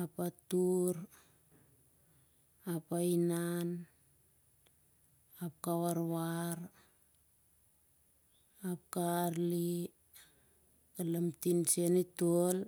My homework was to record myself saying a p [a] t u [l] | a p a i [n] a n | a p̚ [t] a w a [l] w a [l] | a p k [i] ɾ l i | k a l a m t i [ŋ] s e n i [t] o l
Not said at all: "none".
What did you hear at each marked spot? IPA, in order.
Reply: a, ɾ, n, k, ɾ, ɾ, a, n, t

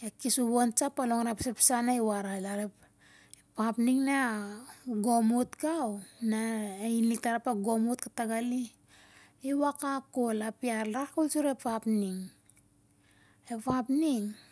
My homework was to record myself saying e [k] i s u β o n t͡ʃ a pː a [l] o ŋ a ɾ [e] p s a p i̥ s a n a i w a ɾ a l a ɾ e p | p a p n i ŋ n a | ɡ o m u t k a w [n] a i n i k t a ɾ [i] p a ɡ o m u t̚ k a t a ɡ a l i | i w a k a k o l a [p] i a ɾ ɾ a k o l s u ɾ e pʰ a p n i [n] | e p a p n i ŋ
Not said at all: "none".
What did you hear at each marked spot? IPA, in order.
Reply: k, l, a, n, a, p, ŋ

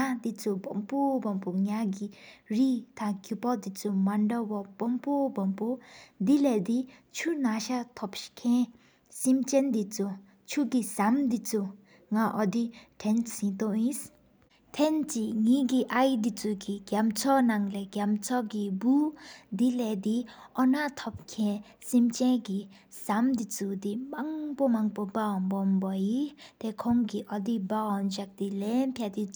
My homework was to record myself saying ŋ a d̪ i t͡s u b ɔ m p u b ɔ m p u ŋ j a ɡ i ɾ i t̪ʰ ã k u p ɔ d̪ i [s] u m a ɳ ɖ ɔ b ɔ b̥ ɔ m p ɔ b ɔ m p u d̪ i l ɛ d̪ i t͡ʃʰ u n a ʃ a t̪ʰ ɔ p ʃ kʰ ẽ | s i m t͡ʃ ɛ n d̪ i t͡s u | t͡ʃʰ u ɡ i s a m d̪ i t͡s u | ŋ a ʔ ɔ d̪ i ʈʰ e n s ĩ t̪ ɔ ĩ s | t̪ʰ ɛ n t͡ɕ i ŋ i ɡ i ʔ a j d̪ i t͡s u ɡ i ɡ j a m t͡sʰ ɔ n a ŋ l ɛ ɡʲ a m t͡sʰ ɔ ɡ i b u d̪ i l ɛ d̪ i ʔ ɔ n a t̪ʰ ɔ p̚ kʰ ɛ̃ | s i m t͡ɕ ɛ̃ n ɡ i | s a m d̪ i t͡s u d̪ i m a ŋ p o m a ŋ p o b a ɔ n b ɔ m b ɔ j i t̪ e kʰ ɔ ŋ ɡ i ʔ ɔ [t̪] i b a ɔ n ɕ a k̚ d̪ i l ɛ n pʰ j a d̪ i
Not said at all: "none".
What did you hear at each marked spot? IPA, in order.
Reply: t͡s, d̪

